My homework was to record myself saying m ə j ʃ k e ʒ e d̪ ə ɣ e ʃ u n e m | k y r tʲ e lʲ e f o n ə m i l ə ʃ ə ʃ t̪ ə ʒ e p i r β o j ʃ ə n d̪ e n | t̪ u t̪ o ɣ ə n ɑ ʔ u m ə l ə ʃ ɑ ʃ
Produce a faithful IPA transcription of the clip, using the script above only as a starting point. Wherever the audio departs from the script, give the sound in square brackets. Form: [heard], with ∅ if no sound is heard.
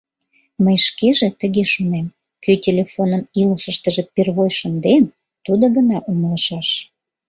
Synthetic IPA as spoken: m ə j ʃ k e ʒ e [t̪] ə ɣ e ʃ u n e m | k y [∅] tʲ e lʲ e f o n ə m i l ə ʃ ə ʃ t̪ ə ʒ e p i r β o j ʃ ə n d̪ e n | t̪ u [d̪] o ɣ ə n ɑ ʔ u m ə l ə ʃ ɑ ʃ